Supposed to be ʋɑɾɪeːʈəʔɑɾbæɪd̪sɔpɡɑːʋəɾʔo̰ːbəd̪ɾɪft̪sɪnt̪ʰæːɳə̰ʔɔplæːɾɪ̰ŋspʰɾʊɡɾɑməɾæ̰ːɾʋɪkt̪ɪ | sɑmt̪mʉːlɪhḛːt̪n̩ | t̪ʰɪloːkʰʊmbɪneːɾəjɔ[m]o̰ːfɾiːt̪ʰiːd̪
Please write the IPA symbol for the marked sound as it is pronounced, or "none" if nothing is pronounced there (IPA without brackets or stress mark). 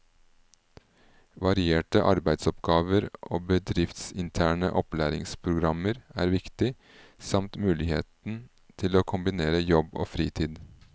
b